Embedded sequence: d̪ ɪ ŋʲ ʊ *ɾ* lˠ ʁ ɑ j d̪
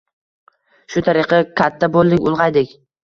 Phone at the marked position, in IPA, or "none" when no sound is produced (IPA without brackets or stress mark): none